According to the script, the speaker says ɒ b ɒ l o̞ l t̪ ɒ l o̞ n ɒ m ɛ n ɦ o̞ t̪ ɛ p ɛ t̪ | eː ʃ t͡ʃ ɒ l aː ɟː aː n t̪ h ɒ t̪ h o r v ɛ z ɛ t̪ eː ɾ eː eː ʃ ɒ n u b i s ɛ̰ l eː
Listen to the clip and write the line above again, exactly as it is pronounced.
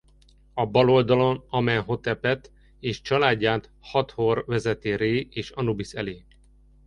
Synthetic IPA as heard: ɒ b ɒ l o̞ l d̪ ɒ l o̞ n ɒ m ɛ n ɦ o̞ t̪ ɛ p ɛ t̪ | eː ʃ t͡ʃ ɒ l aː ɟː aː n t̪ h ɒ t̪ h o r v ɛ z ɛ t̪ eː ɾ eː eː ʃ ɒ n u b i s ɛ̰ l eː